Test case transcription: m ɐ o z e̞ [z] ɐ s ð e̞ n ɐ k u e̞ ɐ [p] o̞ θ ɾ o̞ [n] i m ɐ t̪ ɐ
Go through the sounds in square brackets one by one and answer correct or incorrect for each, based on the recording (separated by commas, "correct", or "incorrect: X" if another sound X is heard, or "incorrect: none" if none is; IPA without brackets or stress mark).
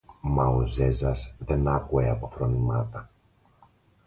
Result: correct, correct, correct